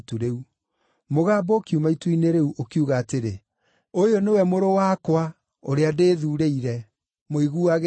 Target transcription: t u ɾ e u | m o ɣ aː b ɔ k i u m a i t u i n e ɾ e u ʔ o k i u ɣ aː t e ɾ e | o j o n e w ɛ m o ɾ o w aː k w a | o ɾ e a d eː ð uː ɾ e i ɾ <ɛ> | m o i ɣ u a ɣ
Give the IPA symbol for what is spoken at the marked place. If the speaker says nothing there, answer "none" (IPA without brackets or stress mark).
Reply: ɛ